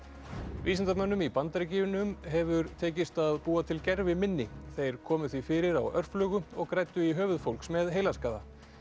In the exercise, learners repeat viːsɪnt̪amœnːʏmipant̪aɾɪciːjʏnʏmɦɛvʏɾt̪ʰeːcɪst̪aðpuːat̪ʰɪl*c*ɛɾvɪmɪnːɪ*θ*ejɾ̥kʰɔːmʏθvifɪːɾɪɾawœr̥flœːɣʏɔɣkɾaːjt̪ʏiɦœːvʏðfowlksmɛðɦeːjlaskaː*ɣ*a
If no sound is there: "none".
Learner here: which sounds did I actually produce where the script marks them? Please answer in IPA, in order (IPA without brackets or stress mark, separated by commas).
c, θ, ð